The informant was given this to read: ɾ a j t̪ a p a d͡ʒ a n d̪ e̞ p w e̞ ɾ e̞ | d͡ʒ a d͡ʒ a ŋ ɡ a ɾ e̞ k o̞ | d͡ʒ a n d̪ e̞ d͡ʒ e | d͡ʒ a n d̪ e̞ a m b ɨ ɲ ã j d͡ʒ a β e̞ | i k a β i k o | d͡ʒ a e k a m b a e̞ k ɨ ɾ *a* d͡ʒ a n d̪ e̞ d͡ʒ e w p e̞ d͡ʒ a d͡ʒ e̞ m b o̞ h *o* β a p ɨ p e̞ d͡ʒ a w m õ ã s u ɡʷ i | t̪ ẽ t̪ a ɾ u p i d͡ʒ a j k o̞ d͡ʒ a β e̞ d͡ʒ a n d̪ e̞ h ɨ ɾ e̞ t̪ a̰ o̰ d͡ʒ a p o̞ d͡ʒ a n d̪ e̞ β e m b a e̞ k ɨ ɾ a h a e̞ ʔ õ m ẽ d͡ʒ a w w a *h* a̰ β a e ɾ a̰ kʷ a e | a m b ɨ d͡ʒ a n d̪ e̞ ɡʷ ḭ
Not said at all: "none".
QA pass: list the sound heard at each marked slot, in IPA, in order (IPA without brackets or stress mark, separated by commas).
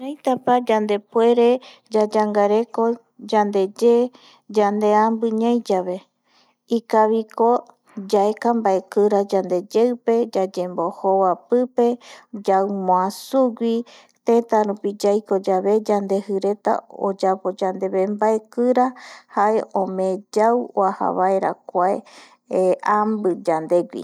a, o, h